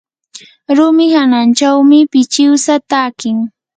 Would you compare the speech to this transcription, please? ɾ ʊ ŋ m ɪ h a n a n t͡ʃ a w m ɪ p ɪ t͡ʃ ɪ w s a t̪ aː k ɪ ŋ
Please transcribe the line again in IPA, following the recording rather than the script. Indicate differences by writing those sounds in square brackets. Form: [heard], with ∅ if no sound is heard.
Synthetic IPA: ɾ ʊ [∅] m ɪ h a n a n t͡ʃ a w m ɪ p ɪ t͡ʃ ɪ w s a t̪ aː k ɪ ŋ